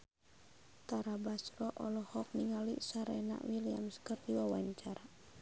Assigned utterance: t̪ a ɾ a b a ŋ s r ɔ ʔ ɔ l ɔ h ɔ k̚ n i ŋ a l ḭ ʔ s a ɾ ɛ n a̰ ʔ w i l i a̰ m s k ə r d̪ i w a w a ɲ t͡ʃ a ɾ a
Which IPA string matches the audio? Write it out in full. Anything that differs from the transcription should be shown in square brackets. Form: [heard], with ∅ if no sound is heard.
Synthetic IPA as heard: t̪ a ɾ a b a [∅] s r ɔ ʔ ɔ l ɔ h ɔ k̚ n i ŋ a l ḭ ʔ s a ɾ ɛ n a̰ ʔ w i l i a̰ m s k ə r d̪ i w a w a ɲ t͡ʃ a ɾ a